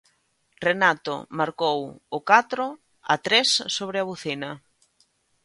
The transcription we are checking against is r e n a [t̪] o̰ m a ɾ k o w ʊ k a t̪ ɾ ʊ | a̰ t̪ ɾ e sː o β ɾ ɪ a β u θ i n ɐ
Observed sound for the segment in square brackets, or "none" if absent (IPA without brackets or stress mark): t̪